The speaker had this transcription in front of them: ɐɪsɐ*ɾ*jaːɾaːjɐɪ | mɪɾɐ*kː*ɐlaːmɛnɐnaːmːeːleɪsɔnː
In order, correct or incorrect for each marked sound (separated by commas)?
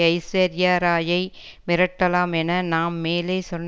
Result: correct, incorrect